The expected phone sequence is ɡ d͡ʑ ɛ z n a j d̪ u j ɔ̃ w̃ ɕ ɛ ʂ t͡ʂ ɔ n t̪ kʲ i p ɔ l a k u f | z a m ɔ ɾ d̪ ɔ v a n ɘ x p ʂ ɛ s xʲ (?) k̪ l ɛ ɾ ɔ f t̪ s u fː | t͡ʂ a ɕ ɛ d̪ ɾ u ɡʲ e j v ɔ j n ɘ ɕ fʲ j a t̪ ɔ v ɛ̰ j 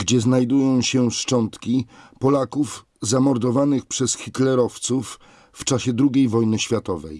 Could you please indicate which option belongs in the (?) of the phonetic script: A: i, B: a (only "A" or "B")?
A